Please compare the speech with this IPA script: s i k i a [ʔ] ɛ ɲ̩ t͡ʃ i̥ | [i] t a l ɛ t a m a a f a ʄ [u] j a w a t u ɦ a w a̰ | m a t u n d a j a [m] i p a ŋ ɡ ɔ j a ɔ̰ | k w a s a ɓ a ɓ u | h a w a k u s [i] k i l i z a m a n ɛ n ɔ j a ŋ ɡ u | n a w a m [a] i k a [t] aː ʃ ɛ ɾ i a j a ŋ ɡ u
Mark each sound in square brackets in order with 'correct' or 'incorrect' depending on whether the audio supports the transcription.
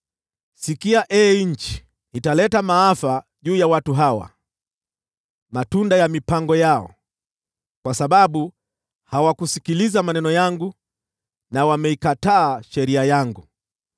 correct, correct, incorrect, correct, correct, incorrect, correct

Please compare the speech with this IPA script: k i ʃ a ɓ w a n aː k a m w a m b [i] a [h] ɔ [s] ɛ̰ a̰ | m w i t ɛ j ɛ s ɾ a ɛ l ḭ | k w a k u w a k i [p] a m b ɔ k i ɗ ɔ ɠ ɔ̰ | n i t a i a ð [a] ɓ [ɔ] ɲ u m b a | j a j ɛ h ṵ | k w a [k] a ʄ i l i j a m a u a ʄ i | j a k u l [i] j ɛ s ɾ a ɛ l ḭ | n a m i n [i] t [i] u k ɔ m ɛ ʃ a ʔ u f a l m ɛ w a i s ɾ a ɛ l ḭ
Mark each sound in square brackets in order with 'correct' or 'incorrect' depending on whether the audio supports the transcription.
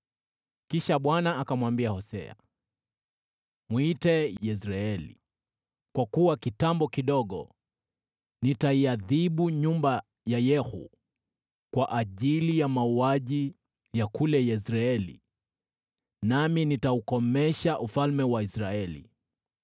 correct, correct, correct, incorrect, incorrect, incorrect, incorrect, incorrect, correct, incorrect

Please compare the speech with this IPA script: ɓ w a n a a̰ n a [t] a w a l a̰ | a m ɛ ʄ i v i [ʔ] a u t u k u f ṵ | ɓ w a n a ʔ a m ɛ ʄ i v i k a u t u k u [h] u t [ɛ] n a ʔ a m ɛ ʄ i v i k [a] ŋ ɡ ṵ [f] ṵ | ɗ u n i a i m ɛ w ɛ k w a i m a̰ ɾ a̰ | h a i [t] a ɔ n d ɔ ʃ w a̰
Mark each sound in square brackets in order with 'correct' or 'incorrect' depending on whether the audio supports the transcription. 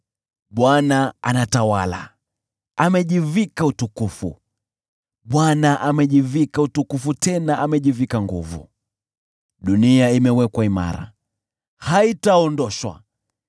correct, incorrect, incorrect, correct, correct, incorrect, correct

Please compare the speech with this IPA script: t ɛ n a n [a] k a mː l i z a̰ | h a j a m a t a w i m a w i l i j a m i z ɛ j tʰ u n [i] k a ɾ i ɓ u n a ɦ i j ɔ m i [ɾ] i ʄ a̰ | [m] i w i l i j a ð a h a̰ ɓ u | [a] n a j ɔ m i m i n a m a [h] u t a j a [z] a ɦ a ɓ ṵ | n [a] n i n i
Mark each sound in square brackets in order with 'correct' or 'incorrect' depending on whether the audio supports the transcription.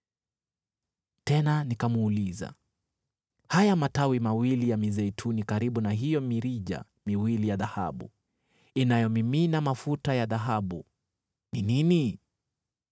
incorrect, correct, correct, correct, incorrect, incorrect, incorrect, incorrect

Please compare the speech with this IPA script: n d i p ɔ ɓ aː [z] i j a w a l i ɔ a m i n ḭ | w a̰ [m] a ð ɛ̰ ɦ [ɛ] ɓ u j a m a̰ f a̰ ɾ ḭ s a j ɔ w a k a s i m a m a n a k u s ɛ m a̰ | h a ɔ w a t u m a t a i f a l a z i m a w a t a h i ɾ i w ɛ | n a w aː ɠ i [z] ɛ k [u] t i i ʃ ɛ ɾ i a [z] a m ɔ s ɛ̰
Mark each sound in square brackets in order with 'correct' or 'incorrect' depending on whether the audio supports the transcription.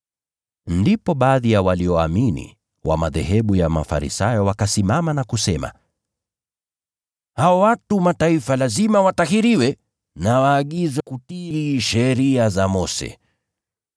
incorrect, correct, correct, correct, correct, correct

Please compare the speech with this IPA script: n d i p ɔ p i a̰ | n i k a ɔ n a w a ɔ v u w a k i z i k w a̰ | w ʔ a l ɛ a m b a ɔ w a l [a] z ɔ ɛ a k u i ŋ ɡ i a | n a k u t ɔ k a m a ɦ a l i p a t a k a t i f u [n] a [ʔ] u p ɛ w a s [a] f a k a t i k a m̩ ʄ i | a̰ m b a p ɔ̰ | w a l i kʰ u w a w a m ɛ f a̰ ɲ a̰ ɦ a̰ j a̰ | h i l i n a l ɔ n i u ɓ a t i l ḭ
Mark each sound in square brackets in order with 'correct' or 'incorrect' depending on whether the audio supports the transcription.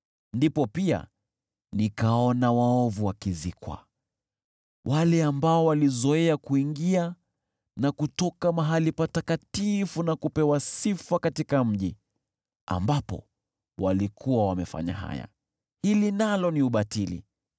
incorrect, correct, incorrect, incorrect

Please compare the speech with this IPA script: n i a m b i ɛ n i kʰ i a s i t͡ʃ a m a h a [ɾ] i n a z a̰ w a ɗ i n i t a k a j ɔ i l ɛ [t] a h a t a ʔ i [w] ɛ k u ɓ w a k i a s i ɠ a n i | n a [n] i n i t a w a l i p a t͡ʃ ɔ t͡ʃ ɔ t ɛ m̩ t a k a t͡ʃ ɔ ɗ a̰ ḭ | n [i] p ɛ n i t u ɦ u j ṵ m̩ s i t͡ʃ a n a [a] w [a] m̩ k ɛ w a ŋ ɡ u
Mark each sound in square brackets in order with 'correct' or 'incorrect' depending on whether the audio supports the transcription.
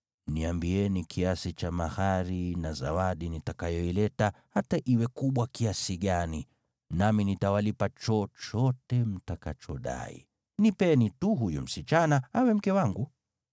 correct, correct, correct, incorrect, correct, correct, incorrect

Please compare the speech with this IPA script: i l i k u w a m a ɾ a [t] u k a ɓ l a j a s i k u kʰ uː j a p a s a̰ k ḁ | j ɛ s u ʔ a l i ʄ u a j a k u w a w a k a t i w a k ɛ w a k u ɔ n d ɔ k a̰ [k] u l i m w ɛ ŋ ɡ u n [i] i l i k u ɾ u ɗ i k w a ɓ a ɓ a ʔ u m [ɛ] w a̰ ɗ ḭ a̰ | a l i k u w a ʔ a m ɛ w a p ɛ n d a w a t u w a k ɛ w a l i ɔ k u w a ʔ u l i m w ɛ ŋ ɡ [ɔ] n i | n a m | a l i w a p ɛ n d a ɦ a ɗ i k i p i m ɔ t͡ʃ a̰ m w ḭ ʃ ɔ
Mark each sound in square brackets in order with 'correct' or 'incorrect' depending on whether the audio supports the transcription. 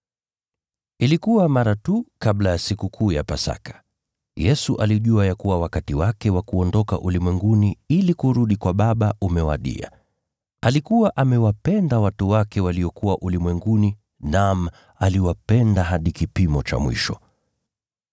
correct, incorrect, correct, correct, incorrect

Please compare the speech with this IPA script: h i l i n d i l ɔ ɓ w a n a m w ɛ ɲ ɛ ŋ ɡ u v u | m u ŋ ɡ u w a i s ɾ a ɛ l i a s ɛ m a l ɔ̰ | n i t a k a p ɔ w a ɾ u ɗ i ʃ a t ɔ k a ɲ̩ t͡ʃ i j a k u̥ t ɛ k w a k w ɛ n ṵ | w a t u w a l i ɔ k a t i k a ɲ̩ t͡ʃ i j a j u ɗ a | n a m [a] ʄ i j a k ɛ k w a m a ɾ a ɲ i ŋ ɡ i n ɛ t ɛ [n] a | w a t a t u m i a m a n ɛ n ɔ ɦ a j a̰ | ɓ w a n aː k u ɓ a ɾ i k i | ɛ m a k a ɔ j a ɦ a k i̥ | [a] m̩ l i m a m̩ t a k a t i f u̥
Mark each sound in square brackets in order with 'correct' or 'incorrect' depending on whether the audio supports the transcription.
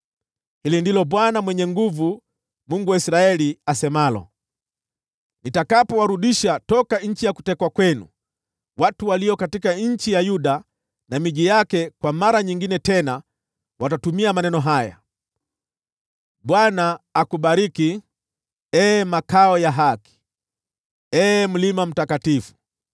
incorrect, correct, incorrect

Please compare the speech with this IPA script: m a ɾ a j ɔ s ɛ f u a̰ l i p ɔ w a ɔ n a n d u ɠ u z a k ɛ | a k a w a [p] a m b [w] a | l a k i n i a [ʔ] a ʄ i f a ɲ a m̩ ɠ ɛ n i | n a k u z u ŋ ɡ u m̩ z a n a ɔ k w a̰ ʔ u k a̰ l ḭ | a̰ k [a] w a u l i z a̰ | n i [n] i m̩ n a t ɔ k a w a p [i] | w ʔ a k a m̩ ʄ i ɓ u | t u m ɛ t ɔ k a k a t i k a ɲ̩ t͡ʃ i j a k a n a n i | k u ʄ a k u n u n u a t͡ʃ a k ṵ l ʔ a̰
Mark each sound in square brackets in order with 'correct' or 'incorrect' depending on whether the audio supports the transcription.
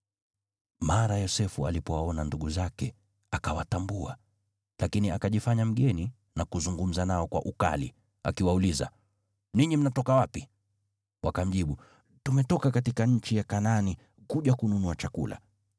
incorrect, incorrect, incorrect, incorrect, incorrect, correct

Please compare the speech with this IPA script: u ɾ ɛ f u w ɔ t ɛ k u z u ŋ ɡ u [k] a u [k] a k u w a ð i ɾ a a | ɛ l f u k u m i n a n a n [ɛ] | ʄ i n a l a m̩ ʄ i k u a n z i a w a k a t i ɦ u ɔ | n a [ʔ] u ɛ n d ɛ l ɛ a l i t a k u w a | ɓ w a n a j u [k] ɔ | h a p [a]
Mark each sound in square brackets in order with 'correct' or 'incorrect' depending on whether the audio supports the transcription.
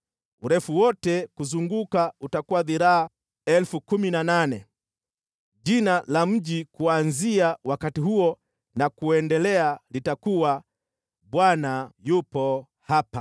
correct, incorrect, correct, incorrect, incorrect, correct

